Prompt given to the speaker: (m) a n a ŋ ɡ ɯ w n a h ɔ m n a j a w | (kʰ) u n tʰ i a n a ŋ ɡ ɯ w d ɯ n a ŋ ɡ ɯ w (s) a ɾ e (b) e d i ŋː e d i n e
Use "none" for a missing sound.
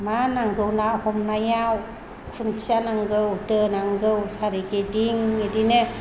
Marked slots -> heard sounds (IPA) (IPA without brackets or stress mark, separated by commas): m, kʰ, s, ɡ